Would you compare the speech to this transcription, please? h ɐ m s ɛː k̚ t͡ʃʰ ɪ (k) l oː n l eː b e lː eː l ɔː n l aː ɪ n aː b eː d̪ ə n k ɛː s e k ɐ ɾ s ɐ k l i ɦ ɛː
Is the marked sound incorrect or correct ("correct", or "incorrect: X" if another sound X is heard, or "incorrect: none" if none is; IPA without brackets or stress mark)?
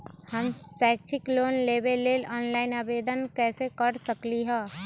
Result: correct